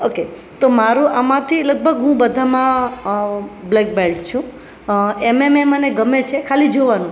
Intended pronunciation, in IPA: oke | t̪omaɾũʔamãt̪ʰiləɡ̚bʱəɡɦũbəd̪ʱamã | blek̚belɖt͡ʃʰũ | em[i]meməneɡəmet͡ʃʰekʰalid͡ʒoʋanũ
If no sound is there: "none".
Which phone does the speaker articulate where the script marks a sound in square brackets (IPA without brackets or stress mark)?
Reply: e